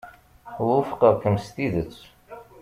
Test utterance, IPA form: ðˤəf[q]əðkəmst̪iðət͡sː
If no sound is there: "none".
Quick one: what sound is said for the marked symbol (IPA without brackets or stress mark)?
q